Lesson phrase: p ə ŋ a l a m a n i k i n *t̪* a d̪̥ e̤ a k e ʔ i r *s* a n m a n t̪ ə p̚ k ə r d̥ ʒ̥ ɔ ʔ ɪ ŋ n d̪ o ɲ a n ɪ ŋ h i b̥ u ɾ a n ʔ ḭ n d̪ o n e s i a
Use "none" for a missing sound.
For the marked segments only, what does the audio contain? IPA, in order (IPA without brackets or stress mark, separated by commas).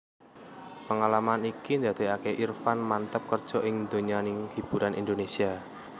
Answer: d̪, f